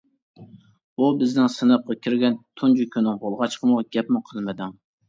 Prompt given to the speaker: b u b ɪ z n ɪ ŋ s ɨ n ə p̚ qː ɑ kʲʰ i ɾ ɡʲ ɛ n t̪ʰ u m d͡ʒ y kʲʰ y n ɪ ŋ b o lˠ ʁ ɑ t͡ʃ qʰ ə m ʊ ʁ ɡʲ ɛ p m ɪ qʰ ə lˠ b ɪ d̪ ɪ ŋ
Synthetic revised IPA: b u b ɪ z n ɪ ŋ s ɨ n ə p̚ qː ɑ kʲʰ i ɾ ɡʲ ɛ n t̪ʰ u n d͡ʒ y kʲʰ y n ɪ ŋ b o lˠ ʁ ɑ t͡ʃ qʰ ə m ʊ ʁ ɡʲ ɛ p m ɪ qʰ ə lˠ m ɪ d̪ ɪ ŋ

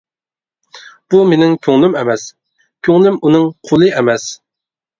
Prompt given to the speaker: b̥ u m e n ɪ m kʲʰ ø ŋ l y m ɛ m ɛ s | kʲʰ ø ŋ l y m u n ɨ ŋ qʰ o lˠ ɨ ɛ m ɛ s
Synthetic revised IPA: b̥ u m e n ɪ ŋ kʲʰ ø ŋ l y m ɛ m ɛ s | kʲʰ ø ŋ l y m u n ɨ ŋ qʰ o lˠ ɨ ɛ m ɛ s

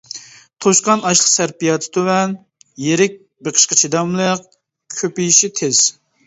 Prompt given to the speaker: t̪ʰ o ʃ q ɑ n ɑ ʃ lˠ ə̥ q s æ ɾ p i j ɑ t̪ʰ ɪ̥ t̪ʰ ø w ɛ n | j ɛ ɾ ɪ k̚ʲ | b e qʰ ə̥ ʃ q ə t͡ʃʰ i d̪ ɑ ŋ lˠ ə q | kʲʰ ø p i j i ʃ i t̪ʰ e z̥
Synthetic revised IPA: t̪ʰ o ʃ q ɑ n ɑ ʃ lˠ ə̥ q s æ ɾ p i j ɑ t̪ʰ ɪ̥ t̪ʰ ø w ɛ n | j e ɾ ɪ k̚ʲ | b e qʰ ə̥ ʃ q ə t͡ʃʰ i d̪ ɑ m lˠ ə q | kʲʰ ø p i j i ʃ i t̪ʰ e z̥

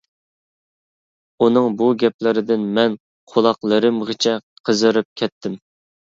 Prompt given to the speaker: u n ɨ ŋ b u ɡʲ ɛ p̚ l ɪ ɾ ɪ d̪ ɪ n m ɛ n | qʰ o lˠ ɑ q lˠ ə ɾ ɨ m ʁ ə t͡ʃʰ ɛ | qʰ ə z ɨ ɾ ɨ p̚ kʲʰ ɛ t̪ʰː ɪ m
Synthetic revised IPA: u n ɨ ŋ b u ɡʲ ɛ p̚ l ɪ ɾ ɪ d̪ ɪ n m ɛ n | qʰ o lˠ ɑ q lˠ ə ɾ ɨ m ʁ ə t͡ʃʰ ɛ | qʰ ə z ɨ ɾ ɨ p̚ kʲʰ ɛ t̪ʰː ɪ m

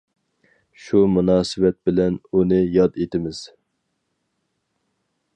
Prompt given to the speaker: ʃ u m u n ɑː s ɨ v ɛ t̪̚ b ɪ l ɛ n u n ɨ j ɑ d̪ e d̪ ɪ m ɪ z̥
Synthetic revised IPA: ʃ u m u n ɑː s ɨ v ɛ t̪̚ b ɪ l ɛ n u n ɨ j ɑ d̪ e t̪ ɪ m ɪ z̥

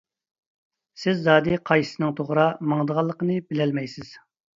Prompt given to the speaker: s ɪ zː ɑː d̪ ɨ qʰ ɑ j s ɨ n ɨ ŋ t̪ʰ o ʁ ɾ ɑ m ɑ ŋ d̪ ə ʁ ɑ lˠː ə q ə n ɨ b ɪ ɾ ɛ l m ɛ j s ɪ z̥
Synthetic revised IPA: s ɪ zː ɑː d̪ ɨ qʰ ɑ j s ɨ n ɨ ŋ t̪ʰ o ʁ ɾ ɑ m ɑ ŋ d̪ ə ʁ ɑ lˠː ə q ə n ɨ b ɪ l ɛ l m ɛ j s ɪ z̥

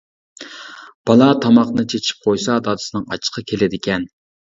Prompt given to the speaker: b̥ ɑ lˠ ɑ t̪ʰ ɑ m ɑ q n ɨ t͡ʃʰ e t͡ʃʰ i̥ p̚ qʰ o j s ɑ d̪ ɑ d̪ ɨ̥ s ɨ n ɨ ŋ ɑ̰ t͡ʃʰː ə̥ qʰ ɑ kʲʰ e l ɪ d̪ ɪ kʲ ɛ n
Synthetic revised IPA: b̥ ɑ lˠ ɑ t̪ʰ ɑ m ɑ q n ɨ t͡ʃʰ e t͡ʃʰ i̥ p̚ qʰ o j s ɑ d̪ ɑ d̪ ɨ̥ s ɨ n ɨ ŋ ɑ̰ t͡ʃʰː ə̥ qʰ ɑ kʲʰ e l ɪ d̪ ɪ kʲ ɛ n

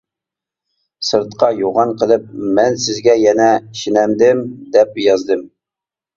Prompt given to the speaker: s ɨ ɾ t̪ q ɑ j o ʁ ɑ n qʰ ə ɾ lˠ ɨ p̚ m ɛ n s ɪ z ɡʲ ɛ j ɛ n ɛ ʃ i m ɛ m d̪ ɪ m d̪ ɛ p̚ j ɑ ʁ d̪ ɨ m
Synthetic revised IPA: s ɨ ɾ t̪ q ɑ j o ʁ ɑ n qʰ ə lˠ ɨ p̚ m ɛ n s ɪ z ɡʲ ɛ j ɛ n ɛ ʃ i n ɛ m d̪ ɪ m d̪ ɛ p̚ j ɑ z d̪ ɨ m

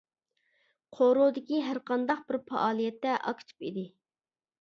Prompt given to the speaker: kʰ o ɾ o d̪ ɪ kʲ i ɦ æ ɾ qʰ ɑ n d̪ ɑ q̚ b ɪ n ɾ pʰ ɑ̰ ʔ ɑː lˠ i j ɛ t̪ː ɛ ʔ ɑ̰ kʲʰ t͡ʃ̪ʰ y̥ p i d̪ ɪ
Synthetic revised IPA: qʰ o ɾ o d̪ ɪ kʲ i ɦ æ ɾ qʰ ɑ n d̪ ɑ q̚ b ɪ ɾ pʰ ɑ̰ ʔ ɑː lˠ i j ɛ t̪ː ɛ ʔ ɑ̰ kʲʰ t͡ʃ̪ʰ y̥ p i d̪ ɪ

